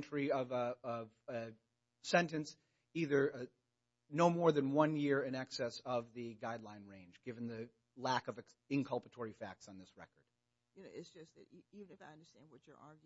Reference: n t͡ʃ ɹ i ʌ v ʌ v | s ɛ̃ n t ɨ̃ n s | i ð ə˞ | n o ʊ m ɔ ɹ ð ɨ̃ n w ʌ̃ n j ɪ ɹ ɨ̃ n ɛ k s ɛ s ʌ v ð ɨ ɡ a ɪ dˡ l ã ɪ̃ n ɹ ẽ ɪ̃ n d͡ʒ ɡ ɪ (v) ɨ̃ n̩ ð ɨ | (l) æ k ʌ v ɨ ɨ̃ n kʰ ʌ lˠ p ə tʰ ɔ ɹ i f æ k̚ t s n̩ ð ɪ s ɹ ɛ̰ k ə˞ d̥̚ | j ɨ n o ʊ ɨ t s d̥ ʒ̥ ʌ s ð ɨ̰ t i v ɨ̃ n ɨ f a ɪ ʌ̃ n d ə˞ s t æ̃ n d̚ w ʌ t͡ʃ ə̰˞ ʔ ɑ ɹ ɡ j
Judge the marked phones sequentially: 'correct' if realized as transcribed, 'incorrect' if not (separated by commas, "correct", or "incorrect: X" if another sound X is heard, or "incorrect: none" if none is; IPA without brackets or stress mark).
correct, correct